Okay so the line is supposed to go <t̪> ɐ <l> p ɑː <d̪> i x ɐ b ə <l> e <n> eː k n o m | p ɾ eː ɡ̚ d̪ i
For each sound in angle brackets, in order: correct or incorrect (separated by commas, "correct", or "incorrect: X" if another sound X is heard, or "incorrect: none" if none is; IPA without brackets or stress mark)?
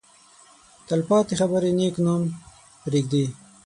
correct, correct, incorrect: t̪, incorrect: ɾ, correct